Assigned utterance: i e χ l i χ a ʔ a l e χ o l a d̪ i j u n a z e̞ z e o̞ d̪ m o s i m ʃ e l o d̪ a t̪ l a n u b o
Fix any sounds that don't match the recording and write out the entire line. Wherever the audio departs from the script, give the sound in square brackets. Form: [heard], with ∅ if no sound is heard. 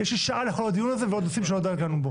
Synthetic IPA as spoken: [j] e [ʃ] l i [ʃ] a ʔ a l e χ o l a d̪ i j u n a z e̞ [v] e o̞ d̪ [n] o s i m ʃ e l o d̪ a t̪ l a n u b o